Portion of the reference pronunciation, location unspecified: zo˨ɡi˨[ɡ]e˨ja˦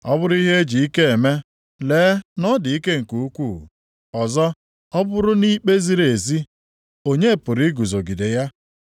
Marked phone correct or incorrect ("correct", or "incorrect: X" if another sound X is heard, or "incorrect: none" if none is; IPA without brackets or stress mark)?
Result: incorrect: d